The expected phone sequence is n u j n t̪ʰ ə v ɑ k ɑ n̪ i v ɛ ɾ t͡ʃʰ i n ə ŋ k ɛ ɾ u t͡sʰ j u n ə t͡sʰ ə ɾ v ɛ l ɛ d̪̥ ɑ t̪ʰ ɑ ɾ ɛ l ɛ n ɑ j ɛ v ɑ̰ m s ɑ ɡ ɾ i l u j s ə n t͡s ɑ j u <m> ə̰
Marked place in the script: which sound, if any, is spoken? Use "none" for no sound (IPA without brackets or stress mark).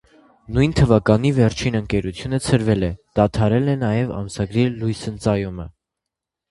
m